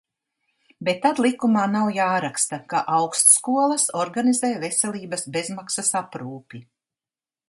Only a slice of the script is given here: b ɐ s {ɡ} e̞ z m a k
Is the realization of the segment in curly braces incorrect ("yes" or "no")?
yes